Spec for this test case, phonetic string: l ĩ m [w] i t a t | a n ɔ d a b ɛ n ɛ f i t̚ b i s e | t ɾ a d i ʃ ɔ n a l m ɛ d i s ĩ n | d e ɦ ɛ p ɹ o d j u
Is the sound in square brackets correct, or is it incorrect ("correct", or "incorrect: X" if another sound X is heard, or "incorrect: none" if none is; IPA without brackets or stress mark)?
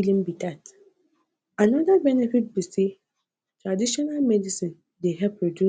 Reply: incorrect: b